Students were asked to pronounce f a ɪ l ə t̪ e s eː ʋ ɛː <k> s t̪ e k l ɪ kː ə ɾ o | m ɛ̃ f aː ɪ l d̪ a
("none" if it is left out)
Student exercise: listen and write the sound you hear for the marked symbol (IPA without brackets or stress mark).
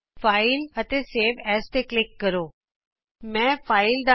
none